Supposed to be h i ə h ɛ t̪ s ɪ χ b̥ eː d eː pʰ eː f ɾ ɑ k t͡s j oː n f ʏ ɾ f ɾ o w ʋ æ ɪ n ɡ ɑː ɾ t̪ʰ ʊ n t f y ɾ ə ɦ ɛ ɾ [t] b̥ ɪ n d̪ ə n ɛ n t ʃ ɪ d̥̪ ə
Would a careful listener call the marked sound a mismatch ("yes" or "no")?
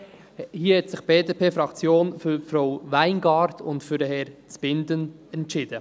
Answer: yes